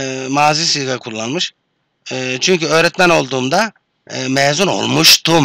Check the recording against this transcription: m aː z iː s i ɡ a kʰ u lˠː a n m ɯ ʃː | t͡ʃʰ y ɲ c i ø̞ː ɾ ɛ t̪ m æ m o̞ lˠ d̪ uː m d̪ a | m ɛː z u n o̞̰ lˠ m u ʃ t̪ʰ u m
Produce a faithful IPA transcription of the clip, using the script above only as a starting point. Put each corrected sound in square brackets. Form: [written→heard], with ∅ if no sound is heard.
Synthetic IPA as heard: m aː z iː s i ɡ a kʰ u lˠː a n m ɯ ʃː | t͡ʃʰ y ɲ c [i→y] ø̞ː ɾ ɛ t̪ m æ [m→n] o̞ lˠ d̪ uː m d̪ a | m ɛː z u n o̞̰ lˠ m u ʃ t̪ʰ u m